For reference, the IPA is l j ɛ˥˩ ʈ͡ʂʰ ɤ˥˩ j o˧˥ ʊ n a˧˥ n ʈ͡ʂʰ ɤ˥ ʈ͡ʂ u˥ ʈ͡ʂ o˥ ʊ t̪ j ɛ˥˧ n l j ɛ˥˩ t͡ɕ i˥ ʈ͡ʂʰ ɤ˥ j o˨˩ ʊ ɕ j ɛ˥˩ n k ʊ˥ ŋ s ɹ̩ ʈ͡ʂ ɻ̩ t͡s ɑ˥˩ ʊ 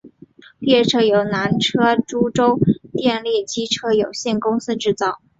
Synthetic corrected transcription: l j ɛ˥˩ ʈ͡ʂʰ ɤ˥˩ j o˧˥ ʊ n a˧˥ n ʈ͡ʂʰ ɤ˥ ʈ͡ʂ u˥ ʈ͡ʂ o˥ ʊ t̪ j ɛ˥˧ n l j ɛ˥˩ t͡ɕ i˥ ʈ͡ʂʰ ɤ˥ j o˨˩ ʊ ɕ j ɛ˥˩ n k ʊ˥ ŋ s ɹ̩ ʈ͡ʂ ɻ̩ t͡s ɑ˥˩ ʊ